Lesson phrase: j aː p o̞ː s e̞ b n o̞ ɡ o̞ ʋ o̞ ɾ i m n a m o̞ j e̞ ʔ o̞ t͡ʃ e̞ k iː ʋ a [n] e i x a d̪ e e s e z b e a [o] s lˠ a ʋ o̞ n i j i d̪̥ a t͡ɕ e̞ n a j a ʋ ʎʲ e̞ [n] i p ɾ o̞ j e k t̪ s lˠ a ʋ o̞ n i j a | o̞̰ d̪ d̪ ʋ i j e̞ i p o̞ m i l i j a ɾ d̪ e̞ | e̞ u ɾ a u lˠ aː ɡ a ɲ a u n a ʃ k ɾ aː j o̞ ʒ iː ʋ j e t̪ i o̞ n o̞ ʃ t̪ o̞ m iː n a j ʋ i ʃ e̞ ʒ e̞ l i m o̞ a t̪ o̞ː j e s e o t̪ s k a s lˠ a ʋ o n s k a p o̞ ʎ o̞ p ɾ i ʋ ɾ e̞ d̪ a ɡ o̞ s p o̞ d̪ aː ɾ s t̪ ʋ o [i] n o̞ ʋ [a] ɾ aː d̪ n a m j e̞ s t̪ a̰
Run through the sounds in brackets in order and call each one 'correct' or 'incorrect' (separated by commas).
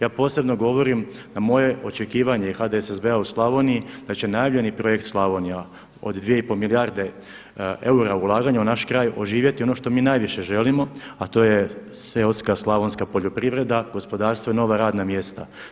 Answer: incorrect, incorrect, correct, correct, correct